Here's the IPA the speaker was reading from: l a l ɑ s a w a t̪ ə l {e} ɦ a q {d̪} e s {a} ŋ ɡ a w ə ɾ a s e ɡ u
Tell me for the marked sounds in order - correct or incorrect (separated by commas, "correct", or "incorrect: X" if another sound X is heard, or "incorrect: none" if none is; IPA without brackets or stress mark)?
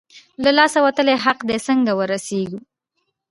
correct, correct, incorrect: ə